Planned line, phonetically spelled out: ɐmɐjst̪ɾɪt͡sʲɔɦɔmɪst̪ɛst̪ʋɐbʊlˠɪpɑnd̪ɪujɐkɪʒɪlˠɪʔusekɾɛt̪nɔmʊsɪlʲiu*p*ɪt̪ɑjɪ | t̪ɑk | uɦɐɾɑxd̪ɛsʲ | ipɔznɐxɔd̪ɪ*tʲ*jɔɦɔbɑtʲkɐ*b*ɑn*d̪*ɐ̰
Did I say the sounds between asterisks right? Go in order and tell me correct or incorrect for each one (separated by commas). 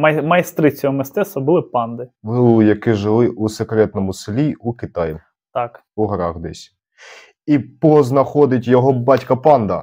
incorrect, correct, incorrect, correct